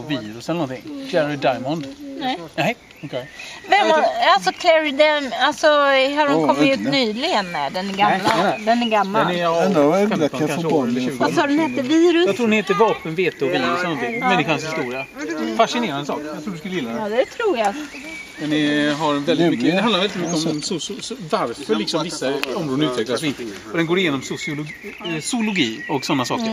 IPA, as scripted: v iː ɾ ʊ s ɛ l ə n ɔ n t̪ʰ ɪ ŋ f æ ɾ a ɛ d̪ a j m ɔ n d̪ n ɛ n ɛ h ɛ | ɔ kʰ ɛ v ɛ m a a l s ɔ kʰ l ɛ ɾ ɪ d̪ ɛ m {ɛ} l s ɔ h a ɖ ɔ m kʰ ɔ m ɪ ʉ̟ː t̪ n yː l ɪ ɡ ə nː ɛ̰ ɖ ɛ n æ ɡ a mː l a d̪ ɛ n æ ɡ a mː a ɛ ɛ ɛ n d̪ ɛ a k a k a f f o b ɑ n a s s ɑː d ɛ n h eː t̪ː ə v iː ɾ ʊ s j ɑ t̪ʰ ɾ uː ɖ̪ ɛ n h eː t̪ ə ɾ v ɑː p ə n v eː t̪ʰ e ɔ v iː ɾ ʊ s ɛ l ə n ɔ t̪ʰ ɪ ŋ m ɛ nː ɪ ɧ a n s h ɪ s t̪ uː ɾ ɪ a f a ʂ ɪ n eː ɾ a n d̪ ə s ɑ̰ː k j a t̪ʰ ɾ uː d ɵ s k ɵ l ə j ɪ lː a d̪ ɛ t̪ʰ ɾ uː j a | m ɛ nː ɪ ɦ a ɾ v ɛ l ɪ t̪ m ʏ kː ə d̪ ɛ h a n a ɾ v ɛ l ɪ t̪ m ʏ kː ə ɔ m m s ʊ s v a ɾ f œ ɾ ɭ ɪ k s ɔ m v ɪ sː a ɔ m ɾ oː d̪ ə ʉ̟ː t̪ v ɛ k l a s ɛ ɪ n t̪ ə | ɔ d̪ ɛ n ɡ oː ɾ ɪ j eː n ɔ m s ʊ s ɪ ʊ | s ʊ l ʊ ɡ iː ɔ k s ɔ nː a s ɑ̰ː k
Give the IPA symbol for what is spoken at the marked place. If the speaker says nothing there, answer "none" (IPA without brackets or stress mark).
a